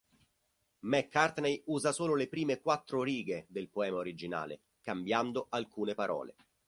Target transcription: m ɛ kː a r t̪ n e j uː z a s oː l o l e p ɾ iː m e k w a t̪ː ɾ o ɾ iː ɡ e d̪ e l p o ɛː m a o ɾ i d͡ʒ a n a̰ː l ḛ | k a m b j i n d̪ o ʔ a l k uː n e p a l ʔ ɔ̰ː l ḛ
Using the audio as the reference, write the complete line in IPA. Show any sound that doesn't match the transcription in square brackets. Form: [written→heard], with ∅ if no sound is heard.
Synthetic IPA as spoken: m ɛ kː a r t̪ n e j uː z a s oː l o l e p ɾ iː m e k w a t̪ː ɾ o ɾ iː ɡ e d̪ e l p o ɛː m a o ɾ i d͡ʒ [a→i] n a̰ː l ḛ | k a m b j [i→a] n d̪ o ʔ a l k uː n e p a [l→ɾ] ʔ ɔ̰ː l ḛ